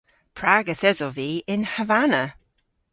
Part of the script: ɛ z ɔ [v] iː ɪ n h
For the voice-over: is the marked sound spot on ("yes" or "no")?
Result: yes